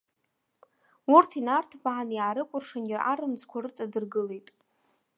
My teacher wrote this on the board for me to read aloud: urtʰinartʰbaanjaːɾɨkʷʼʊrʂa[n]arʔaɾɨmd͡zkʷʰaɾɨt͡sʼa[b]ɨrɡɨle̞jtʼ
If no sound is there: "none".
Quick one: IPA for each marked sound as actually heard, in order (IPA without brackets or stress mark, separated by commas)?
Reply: n, d